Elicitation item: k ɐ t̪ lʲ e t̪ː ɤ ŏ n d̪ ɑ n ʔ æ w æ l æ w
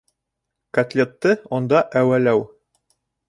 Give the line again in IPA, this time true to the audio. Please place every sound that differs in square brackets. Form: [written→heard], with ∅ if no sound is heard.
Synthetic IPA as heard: k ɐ t̪ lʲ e t̪ː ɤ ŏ n d̪ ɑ [n→∅] ʔ æ w æ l æ w